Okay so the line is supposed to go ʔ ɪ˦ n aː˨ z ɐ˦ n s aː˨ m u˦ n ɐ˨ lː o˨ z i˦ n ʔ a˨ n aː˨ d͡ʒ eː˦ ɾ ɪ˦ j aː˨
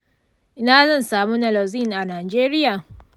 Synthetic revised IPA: ʔ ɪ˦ n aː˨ z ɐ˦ n s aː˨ m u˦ n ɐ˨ l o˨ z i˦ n ʔ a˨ n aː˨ d͡ʒ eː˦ ɾ ɪ˦ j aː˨